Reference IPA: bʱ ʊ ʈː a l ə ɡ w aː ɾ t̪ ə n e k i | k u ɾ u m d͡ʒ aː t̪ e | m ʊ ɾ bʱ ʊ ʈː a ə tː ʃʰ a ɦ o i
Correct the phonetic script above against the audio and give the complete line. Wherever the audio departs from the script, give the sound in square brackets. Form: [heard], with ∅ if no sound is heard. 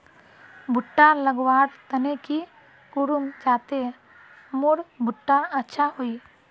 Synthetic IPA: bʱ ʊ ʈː a l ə ɡ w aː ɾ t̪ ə n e k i | k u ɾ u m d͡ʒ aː t̪ e | m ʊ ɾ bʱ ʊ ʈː a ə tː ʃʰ a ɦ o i